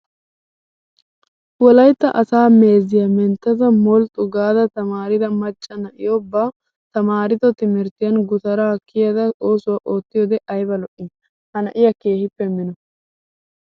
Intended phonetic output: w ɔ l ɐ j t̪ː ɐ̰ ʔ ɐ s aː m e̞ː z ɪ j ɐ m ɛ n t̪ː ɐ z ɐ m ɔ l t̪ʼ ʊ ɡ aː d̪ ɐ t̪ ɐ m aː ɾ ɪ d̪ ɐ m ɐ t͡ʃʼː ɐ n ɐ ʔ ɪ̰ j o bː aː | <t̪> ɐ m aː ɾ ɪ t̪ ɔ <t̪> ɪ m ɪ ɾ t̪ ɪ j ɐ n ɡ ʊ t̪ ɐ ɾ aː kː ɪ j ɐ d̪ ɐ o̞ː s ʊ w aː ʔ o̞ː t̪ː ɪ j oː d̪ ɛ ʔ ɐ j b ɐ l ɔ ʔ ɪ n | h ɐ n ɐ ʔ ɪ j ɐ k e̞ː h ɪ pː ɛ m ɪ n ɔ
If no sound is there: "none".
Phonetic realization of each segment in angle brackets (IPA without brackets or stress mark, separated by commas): t̪, t̪